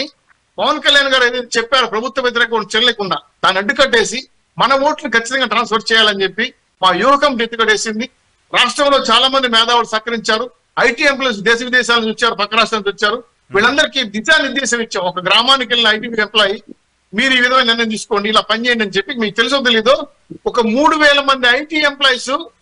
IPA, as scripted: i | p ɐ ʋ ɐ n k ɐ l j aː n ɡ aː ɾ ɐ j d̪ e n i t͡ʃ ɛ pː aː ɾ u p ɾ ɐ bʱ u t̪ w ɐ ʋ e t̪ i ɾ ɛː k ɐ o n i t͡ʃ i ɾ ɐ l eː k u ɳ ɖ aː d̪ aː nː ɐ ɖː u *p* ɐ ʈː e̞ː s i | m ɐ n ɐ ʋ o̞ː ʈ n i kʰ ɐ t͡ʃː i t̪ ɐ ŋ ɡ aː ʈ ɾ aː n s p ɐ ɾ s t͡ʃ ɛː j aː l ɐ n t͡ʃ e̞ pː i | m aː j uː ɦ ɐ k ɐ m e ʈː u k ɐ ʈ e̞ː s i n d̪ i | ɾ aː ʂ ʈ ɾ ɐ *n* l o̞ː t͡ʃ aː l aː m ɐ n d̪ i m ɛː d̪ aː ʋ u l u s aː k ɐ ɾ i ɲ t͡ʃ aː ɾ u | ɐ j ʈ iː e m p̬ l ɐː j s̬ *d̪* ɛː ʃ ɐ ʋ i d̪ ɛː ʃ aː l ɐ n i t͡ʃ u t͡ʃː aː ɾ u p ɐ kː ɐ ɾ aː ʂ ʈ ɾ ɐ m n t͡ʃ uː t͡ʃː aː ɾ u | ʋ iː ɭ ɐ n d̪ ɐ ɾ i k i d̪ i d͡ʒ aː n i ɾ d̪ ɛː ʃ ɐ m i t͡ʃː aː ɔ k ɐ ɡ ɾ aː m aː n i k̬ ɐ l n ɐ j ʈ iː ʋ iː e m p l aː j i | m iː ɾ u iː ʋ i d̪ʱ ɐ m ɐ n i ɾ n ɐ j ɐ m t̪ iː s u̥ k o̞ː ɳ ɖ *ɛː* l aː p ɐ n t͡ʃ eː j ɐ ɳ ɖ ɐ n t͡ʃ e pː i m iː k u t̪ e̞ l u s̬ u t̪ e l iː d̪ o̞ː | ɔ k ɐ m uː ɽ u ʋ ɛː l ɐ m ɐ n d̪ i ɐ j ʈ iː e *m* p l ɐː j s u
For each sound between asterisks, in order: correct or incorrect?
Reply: incorrect, incorrect, correct, incorrect, correct

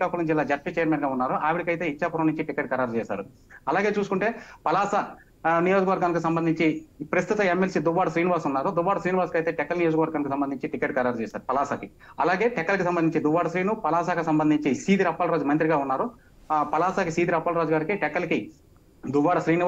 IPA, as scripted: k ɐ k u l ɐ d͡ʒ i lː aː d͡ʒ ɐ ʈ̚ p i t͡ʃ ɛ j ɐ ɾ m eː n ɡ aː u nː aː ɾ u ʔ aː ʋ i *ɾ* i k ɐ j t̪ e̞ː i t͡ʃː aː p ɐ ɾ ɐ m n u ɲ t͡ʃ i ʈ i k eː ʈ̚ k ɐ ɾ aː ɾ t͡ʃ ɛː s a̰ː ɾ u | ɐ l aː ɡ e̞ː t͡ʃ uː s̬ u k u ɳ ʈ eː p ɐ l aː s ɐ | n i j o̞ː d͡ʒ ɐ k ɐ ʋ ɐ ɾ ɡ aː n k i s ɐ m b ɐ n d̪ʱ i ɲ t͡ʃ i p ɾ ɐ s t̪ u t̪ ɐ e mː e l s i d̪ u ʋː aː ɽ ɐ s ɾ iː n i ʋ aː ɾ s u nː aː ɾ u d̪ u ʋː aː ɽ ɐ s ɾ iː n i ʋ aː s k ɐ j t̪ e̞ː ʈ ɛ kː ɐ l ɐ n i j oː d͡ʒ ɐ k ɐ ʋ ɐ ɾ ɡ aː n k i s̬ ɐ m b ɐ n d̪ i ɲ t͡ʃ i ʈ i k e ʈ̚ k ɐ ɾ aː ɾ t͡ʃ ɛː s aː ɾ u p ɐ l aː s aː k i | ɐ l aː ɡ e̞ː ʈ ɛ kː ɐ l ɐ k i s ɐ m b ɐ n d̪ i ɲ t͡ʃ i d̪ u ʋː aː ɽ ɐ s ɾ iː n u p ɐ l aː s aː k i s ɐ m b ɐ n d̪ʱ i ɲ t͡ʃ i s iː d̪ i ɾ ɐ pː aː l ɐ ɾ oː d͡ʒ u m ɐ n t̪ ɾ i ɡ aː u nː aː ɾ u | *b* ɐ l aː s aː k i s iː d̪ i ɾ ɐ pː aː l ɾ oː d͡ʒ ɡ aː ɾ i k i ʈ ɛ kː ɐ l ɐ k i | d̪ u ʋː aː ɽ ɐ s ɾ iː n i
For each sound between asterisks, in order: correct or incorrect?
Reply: incorrect, incorrect

